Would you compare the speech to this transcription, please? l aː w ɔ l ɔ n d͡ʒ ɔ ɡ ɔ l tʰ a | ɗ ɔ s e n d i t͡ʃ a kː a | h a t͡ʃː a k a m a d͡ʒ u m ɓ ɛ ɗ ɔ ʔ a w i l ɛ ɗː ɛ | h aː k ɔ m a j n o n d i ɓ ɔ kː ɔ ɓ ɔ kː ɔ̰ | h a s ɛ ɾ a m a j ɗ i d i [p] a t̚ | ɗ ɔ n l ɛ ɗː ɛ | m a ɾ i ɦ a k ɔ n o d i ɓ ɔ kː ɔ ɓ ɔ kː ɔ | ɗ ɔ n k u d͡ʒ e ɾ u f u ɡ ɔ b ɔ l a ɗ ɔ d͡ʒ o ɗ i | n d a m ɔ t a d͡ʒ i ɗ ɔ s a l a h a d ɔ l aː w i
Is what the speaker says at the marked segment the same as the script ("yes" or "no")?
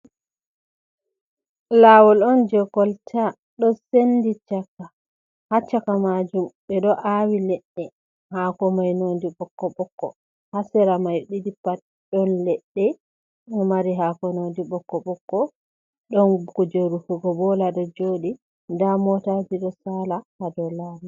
yes